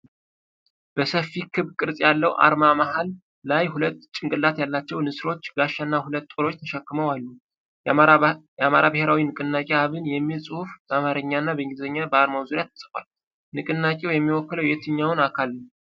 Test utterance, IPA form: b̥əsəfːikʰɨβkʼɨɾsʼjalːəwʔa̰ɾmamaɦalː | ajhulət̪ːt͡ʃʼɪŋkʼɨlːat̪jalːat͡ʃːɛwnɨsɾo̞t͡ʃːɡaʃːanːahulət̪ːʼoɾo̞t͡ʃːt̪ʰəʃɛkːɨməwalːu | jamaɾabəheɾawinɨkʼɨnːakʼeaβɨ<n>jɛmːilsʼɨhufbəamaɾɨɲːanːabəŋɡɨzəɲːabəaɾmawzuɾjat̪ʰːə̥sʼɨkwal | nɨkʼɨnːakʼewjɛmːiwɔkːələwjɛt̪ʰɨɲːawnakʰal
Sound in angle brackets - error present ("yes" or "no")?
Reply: no